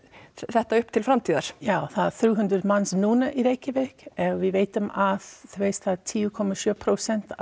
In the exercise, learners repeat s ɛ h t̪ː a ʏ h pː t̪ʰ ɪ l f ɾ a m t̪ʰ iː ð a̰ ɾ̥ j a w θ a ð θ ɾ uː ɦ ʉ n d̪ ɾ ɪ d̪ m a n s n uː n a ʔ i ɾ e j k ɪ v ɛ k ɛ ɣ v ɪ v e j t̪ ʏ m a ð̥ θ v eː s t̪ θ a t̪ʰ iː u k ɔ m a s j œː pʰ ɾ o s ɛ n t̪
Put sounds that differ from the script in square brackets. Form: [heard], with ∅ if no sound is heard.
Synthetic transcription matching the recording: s ɛ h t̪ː a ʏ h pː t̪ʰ ɪ l f ɾ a m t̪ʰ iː ð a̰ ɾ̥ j a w θ a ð θ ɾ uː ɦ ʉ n d̪ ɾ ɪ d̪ m a n s n uː n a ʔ i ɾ e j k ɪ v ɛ k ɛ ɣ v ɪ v e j t̪ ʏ m a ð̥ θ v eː s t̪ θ a t̪ʰ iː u [kʰ] ɔ m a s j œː pʰ ɾ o s ɛ n t̪